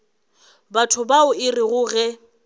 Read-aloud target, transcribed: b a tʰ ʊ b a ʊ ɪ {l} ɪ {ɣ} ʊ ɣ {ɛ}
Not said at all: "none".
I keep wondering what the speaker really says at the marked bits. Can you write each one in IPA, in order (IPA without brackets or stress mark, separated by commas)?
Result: r, ɣ, ɛ